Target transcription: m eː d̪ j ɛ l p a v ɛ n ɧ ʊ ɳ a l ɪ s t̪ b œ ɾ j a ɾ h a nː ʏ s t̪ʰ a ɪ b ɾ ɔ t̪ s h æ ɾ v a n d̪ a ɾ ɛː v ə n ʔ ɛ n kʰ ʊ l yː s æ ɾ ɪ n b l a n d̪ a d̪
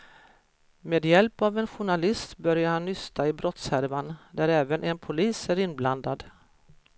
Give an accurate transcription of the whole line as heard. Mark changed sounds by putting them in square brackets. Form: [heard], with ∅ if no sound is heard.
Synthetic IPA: m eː d̪ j ɛ l p a v ɛ n ɧ ʊ ɳ a l ɪ s t̪ b œ ɾ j a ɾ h a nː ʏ s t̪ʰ a ɪ b ɾ ɔ t̪ s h æ ɾ v a n d̪ [æ] ɾ ɛː v ə n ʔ ɛ n [pʰ] ʊ l [iː] s æ ɾ ɪ n b l a n d̪ a d̪

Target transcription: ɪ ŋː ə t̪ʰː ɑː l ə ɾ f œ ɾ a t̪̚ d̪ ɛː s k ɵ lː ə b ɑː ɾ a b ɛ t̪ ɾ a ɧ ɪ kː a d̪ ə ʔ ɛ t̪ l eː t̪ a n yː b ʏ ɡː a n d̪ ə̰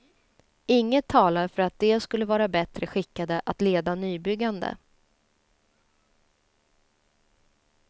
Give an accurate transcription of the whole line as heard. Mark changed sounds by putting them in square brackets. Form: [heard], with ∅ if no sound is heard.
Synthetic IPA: ɪ ŋː ə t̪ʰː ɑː l [a] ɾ f œ ɾ a t̪̚ d̪ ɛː s k ɵ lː ə [v] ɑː ɾ a b ɛ t̪ ɾ [ə] ɧ ɪ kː a d̪ ə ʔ [a] t̪ l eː [d̪] a n yː b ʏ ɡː a n d̪ ə̰

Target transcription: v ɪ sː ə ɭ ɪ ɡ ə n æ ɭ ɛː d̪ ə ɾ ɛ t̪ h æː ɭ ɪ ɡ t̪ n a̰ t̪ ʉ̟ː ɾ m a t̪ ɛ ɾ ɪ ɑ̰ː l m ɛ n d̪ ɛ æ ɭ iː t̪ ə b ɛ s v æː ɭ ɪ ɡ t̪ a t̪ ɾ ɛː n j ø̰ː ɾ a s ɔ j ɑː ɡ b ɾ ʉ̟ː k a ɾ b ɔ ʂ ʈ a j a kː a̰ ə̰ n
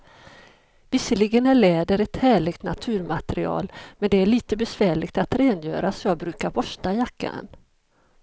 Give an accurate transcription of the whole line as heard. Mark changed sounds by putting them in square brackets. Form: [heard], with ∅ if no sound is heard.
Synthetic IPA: v ɪ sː ə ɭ ɪ ɡ ə n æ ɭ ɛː d̪ ə ɾ ɛ t̪ h æː ɭ ɪ ɡ t̪ n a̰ [t̪ʰ] ʉ̟ː ɾ m a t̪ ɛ ɾ ɪ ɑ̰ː l m ɛ n d̪ ɛ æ ɭ iː t̪ ə b ɛ s v æː ɭ ɪ ɡ t̪ a t̪ ɾ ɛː n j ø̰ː ɾ a s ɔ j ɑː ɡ b ɾ ʉ̟ː k a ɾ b ɔ ʂ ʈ a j a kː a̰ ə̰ n

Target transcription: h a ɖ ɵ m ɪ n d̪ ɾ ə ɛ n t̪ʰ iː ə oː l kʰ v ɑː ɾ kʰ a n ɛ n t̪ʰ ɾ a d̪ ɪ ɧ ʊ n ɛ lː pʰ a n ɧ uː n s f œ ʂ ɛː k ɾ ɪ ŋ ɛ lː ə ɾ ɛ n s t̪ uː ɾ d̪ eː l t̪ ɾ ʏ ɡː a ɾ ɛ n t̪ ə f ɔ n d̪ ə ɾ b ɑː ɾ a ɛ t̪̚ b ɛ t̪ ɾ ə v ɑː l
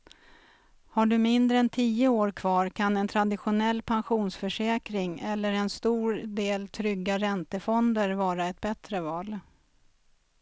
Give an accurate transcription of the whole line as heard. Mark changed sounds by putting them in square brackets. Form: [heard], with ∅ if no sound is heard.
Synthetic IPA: h a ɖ ɵ m ɪ n d̪ ɾ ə ɛ n t̪ʰ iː ə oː [ɾ] kʰ v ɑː ɾ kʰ a n ɛ n t̪ʰ ɾ a d̪ ɪ ɧ ʊ n ɛ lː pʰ a n ɧ uː n s f œ ʂ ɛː k ɾ ɪ ŋ ɛ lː ə ɾ ɛ n s t̪ uː ɾ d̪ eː l [t̪ʰ] ɾ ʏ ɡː a ɾ ɛ n t̪ ə f ɔ n d̪ ə ɾ [v] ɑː ɾ a ɛ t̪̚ b ɛ t̪ ɾ ə v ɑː l

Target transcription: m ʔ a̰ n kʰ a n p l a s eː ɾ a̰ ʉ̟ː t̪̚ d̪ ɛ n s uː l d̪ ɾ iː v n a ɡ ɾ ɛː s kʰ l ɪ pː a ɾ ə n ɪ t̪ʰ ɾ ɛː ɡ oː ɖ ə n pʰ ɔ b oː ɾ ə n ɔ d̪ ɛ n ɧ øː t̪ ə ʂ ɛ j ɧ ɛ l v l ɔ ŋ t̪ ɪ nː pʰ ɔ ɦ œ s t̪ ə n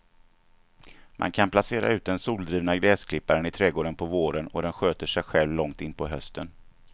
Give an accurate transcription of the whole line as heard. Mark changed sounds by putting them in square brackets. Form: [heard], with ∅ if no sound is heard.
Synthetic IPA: m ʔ a̰ n kʰ a n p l a s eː ɾ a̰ ʉ̟ː t̪̚ d̪ ɛ n s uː l d̪ ɾ iː v n a ɡ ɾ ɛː s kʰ l ɪ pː a ɾ ə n ɪ t̪ʰ ɾ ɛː ɡ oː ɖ ə n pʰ ɔ [v] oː ɾ ə n ɔ d̪ ɛ n ɧ øː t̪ ə ʂ ɛ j ɧ ɛ l v l ɔ ŋ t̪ ɪ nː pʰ ɔ ɦ œ s t̪ ə n

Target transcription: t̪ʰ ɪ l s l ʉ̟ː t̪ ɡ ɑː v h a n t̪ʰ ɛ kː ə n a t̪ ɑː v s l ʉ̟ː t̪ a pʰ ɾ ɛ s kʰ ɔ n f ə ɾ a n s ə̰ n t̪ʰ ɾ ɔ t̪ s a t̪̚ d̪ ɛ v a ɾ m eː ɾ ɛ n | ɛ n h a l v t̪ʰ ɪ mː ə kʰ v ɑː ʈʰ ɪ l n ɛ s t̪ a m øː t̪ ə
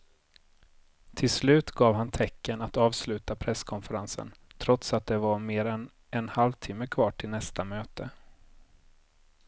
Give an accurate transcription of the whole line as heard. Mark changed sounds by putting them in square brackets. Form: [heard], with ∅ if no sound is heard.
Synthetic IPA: t̪ʰ ɪ l s l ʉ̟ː t̪ ɡ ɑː v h a n t̪ʰ ɛ kː ə n a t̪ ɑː v s l ʉ̟ː t̪ a pʰ ɾ ɛ s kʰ ɔ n f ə ɾ a n s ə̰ n t̪ʰ ɾ ɔ t̪ s a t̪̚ d̪ ɛ v a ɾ m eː ɾ ɛ n | ɛ n h a l v t̪ʰ ɪ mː ə kʰ v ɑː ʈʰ ɪ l n ɛ s t̪ a m øː t̪ ə

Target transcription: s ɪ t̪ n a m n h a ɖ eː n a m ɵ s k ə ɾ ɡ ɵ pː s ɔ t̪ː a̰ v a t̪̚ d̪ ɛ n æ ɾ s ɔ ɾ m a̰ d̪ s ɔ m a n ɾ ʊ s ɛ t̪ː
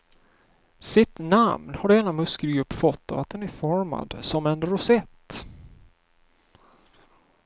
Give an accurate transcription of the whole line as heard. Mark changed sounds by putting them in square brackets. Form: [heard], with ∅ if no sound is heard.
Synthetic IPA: s ɪ t̪ n a m n h a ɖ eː n a m ɵ s k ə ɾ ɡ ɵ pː [f] ɔ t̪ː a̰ v a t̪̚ d̪ ɛ n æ ɾ [f] ɔ ɾ m a̰ d̪ s ɔ m [ɛ] n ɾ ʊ s ɛ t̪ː

